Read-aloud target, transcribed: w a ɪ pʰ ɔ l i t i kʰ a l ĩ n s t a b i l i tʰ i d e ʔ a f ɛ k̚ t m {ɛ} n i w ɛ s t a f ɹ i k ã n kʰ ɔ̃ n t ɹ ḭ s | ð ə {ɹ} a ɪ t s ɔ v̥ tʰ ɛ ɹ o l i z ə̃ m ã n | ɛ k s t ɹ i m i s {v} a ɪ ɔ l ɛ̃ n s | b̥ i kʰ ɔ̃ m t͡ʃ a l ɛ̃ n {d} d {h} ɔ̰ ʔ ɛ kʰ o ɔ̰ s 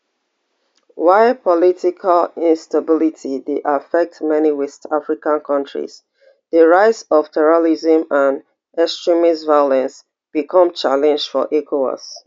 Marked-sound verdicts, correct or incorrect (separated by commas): correct, correct, correct, incorrect, incorrect